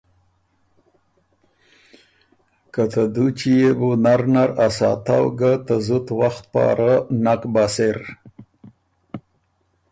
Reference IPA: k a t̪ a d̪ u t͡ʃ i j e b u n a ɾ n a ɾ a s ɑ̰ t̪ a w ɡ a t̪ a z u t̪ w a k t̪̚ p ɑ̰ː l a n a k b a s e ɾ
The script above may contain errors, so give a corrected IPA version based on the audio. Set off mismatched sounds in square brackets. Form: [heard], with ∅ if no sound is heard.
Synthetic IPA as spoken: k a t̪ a d̪ u t͡ʃ i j e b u n a ɾ n a ɾ a s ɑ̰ t̪ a w ɡ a t̪ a z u t̪ w a [x] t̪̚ p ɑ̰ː [ɾ] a n a k b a s e ɾ